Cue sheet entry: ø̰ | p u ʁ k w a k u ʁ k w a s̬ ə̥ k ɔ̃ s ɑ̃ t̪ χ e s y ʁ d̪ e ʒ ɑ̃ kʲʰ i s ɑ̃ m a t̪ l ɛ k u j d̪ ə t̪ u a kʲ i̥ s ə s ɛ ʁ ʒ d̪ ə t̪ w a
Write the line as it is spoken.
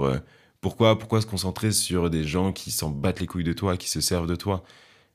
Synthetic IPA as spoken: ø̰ | p u ʁ k w a p u ʁ k w a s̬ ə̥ k ɔ̃ s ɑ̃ t̪ χ e s y ʁ d̪ e ʒ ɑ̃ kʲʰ i s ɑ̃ b a t̪ l e k u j d̪ ə t̪ w a kʲ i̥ s ə s ɛ ʁ v d̪ ə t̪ w a